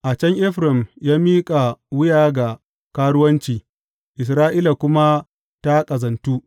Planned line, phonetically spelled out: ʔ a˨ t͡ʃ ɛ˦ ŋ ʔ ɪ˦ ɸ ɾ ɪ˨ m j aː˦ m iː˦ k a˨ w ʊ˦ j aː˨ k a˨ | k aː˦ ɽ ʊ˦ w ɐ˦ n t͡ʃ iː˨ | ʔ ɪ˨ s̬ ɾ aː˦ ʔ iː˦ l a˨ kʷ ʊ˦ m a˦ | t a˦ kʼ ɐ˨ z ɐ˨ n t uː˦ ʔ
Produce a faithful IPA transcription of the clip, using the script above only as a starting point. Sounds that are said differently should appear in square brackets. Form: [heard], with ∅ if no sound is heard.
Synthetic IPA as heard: ʔ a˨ t͡ʃ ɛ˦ ŋ ʔ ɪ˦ ɸ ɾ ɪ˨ m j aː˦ m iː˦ [kʼ] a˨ w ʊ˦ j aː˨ [ɡ] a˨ | k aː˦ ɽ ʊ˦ w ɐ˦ n t͡ʃ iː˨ | ʔ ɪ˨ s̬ ɾ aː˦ ʔ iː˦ l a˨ kʷ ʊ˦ m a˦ | t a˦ kʼ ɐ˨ z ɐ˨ n t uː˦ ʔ